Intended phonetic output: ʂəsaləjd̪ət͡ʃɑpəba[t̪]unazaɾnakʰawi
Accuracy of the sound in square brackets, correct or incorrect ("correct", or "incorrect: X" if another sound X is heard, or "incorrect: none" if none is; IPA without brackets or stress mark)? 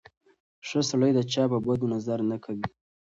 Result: incorrect: d̪